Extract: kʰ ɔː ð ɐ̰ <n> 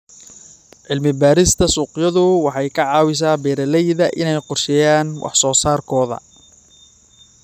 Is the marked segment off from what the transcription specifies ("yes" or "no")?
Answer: yes